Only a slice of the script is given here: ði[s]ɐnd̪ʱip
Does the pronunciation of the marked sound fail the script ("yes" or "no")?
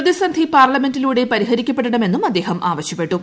no